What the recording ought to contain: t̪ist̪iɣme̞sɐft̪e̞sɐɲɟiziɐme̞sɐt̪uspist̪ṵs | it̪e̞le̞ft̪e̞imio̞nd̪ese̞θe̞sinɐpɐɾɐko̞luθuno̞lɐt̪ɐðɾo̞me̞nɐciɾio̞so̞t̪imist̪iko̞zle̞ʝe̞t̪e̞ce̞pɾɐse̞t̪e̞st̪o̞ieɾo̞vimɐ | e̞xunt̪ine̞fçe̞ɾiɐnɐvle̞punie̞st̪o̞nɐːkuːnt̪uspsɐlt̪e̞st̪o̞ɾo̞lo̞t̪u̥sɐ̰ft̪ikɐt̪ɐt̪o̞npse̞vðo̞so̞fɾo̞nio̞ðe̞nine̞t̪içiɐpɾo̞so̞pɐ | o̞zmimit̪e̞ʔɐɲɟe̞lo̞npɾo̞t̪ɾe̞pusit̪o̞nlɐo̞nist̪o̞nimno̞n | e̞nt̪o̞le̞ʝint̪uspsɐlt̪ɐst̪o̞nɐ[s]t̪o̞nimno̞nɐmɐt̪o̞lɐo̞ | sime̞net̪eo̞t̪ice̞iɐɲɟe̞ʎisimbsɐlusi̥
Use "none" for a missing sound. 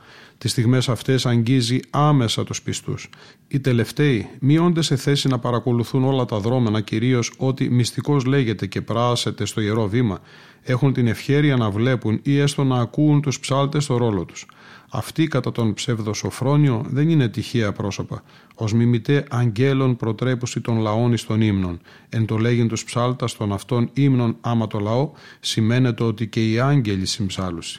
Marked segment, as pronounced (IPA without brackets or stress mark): f